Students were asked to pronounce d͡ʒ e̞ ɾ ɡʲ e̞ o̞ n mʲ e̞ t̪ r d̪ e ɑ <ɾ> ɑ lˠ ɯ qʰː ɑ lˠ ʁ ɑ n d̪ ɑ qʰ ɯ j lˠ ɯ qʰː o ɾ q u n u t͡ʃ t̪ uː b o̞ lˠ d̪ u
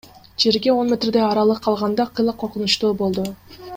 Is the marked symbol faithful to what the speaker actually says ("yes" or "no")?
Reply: yes